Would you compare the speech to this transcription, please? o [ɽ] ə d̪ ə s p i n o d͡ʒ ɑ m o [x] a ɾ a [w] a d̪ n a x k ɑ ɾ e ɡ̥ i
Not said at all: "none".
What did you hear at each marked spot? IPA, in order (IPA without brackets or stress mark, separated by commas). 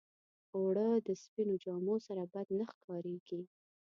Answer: ɽ, s, b